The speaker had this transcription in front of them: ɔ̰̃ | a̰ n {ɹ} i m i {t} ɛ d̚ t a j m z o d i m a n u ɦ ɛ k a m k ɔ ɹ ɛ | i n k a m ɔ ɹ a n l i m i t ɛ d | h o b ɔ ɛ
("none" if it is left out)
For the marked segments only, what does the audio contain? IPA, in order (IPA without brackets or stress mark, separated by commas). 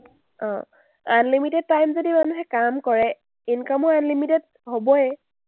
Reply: l, t